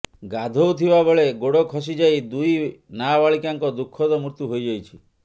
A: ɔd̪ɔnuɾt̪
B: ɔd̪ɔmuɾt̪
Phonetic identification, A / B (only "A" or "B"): B